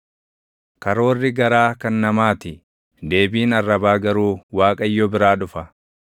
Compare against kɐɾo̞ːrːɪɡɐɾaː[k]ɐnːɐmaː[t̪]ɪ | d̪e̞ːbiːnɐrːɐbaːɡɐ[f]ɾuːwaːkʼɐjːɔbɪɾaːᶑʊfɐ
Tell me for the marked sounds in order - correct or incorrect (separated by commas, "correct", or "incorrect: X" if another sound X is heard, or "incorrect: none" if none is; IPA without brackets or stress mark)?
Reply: correct, correct, incorrect: none